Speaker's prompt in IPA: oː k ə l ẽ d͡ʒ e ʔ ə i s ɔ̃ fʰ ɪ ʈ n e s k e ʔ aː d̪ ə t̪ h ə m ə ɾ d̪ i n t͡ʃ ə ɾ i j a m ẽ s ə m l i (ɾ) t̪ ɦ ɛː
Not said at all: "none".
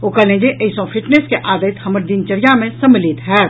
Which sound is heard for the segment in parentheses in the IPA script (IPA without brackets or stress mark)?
none